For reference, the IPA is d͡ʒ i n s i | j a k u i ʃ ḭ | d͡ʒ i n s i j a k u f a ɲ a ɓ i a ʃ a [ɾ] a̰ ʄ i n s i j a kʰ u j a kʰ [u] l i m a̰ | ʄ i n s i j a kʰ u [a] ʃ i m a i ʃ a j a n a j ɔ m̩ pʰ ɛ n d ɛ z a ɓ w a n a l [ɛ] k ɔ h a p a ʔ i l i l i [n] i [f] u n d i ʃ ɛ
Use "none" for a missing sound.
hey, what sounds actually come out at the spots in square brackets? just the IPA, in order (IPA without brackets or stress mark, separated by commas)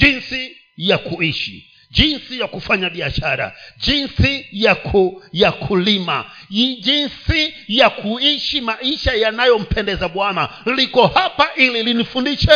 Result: ɾ, u, i, i, n, f